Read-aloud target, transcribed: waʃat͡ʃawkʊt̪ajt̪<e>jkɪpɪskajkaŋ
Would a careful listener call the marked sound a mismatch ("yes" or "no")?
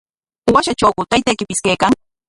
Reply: yes